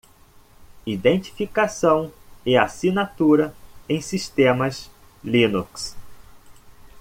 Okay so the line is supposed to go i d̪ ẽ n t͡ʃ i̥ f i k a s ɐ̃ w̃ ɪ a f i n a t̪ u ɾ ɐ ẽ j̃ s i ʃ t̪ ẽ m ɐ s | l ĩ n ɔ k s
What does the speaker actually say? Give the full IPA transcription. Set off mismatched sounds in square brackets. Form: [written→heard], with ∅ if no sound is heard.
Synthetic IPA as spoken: i d̪ ẽ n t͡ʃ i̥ f i k a s ɐ̃ w̃ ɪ a [f→s] i n a t̪ u ɾ ɐ ẽ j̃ s i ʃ t̪ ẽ m ɐ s | l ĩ n [ɔ→u] k s